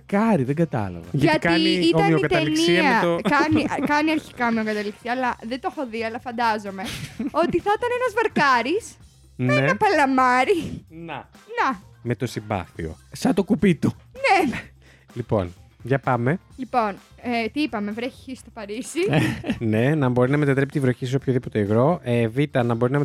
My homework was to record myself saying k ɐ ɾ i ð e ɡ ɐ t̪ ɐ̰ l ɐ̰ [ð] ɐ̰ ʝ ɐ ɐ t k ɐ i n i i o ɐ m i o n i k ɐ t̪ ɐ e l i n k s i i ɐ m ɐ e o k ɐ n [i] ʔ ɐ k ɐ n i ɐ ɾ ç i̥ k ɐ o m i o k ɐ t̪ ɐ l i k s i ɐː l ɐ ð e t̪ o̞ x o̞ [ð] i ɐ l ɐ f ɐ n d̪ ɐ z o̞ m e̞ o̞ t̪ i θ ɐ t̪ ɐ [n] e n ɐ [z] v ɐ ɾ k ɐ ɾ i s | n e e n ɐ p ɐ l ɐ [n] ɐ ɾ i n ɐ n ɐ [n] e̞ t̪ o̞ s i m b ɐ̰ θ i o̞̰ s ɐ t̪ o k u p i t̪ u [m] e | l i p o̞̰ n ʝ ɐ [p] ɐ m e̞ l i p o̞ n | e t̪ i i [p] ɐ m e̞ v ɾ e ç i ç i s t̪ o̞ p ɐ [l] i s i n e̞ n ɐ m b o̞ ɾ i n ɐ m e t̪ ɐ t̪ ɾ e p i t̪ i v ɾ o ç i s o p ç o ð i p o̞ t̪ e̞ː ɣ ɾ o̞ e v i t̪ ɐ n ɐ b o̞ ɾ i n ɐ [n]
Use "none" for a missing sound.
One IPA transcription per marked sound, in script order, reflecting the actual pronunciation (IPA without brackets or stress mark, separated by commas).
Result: v, i, ð, n, z, m, m, n, p, p, ɾ, m